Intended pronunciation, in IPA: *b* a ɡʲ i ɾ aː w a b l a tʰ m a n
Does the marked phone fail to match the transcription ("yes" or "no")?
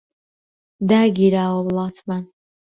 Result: yes